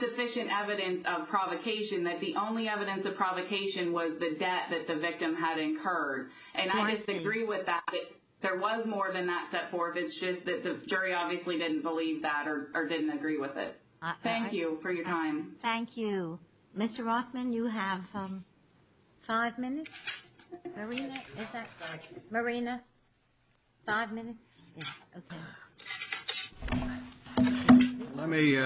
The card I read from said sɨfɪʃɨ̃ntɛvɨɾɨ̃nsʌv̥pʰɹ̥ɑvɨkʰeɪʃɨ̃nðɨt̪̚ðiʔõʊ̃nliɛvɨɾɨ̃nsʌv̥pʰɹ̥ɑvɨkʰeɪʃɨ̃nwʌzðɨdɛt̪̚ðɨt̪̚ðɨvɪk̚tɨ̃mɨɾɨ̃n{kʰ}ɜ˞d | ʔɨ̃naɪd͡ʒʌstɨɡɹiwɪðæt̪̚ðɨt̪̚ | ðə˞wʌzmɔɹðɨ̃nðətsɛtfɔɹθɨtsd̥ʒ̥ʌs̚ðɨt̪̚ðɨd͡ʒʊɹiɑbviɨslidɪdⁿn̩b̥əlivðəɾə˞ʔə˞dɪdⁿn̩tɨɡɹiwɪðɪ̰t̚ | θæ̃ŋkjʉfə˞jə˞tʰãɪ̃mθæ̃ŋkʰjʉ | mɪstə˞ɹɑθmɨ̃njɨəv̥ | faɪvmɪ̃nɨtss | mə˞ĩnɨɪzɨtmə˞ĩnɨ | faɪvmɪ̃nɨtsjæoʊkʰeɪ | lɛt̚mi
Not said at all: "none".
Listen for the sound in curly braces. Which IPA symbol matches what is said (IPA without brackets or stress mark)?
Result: kʰ